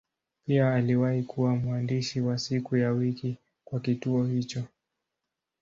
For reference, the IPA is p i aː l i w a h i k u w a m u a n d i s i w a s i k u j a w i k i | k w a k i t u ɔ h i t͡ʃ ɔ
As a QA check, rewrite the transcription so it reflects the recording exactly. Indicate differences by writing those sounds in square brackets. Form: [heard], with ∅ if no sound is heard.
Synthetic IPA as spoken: p i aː l i w a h i k u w a m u a n d i [ʃ] i w a s i k u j a w i k i | k w a k i t u ɔ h i t͡ʃ ɔ